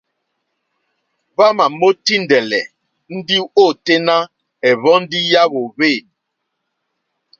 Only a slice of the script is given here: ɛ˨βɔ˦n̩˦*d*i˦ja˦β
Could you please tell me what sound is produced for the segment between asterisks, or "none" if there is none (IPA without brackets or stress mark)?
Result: d